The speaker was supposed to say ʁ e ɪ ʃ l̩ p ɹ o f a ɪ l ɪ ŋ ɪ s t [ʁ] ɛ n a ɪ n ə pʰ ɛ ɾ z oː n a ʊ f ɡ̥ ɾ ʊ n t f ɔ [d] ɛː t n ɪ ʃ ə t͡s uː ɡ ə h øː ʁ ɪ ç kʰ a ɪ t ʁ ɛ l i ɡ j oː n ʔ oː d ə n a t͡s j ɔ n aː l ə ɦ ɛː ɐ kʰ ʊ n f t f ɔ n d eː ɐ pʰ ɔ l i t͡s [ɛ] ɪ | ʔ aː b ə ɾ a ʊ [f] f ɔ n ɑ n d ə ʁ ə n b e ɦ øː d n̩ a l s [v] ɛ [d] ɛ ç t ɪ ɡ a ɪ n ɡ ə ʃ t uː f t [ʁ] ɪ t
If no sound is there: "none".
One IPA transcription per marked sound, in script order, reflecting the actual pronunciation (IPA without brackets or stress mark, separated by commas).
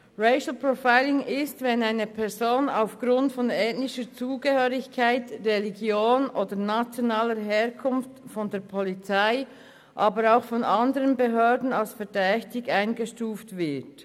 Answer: v, n, a, x, f, d, v